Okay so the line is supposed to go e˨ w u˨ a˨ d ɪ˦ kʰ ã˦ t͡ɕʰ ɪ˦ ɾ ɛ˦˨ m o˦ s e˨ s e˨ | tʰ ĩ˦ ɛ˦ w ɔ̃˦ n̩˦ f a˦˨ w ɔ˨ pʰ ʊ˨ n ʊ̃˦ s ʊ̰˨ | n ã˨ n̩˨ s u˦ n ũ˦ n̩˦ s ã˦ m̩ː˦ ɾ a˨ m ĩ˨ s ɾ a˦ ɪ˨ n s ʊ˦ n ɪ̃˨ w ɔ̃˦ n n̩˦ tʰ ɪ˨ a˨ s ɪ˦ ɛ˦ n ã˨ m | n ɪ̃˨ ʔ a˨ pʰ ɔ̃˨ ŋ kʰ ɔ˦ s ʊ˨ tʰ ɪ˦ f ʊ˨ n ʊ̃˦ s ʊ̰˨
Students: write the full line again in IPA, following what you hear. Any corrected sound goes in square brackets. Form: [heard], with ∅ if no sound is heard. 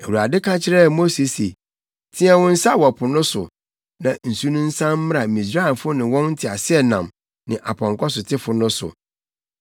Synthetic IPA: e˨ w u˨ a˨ d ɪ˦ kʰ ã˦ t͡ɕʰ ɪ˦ ɾ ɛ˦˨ m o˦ s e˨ s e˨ | tʰ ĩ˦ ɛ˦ w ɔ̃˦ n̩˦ [s] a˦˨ w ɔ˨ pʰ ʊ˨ n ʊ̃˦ s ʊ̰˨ | n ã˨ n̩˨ s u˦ n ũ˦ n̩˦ s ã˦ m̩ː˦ ɾ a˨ m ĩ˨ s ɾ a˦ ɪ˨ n [f] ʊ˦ n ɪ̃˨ w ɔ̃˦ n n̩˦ tʰ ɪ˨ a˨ s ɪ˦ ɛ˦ n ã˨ m | n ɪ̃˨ ʔ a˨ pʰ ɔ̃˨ ŋ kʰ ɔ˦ s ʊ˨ tʰ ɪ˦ f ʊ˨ n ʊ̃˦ s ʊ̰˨